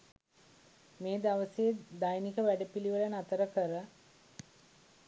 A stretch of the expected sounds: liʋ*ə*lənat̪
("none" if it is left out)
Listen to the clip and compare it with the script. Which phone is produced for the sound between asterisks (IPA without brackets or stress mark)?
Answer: ə